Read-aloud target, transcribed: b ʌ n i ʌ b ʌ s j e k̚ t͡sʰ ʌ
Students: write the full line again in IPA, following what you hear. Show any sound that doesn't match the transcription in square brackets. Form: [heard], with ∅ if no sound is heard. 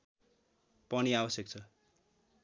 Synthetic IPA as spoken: [p] ʌ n i [a] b ʌ s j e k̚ t͡sʰ ʌ